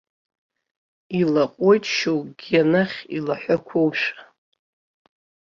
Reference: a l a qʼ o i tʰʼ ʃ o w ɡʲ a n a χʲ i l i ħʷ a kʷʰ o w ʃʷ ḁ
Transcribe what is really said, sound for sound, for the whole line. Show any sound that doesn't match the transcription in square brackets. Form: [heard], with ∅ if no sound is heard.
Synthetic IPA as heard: [i] l a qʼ o [j] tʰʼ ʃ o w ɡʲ a n a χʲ i l [a] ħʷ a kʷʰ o w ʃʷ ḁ

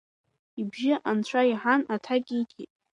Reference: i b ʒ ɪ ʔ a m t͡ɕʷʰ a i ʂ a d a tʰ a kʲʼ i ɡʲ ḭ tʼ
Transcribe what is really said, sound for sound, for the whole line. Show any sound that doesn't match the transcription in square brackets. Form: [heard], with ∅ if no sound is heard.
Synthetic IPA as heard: i b ʒ ɪ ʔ a [n] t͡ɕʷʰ a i [ħ] a [n] a tʰ a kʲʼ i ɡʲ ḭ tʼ

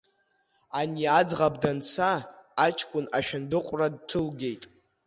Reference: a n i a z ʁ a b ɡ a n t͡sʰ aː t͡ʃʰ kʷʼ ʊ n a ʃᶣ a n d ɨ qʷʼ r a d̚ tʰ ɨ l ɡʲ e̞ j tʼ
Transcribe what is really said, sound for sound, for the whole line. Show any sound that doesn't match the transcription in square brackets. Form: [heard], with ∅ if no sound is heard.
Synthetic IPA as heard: a n i a [d͡z] ʁ a b [d] a n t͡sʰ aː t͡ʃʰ kʷʼ ʊ n a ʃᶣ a n d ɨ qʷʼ r a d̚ tʰ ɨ l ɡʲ e̞ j tʼ

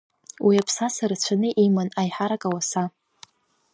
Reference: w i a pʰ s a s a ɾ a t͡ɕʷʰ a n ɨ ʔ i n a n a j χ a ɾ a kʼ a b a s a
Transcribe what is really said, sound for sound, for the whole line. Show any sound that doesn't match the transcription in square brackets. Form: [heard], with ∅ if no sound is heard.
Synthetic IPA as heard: w i a pʰ s a s a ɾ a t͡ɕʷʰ a n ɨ ʔ i [m] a n a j [ħ] a ɾ a kʼ a [w] a s a

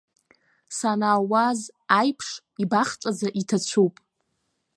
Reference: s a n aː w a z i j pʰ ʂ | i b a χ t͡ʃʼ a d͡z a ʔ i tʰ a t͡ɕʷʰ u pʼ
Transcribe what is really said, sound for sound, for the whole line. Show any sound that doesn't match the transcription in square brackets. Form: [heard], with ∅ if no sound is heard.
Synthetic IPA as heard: s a n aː w a z [a] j pʰ ʂ | i b a χ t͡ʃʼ a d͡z a ʔ i tʰ a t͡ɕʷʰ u pʼ

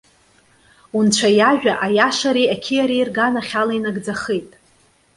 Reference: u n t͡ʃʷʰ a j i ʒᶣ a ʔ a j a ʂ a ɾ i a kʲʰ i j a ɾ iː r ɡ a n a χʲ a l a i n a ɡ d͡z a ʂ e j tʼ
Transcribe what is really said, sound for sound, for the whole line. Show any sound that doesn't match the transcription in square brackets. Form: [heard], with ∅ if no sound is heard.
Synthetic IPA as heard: u n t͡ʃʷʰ a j [a] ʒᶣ a ʔ a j a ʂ a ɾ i a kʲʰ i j a ɾ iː r ɡ a n a χʲ a l a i n a ɡ d͡z a [χ] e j tʼ

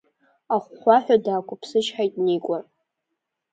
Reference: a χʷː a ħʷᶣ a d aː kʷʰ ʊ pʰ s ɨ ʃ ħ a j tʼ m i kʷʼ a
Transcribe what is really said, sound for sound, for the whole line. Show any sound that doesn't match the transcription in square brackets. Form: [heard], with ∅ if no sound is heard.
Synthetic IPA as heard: a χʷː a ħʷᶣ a d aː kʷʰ ʊ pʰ s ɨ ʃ ħ a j tʼ [n] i kʷʼ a

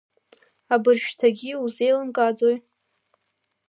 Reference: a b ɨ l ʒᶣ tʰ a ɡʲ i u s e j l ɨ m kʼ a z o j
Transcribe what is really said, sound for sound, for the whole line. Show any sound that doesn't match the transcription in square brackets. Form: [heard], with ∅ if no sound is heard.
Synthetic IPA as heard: a b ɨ [r] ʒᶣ tʰ a ɡʲ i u [z] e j l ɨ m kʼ a [d͡z] o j

